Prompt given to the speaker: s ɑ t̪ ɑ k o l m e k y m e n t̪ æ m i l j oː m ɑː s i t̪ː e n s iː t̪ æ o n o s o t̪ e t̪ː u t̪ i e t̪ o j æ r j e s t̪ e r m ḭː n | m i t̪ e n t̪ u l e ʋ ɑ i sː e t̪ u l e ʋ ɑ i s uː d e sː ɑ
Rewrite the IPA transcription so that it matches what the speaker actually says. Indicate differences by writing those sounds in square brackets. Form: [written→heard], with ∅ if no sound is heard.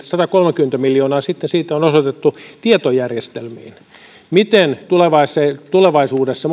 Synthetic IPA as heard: s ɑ t̪ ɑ k o l m e k y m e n t̪ æ m i l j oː [m→n] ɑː s i t̪ː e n s iː t̪ æ o n o s o t̪ e t̪ː u t̪ i e t̪ o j æ r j e s t̪ e [r→l] m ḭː n | m i t̪ e n t̪ u l e ʋ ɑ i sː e t̪ u l e ʋ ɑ i s uː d e sː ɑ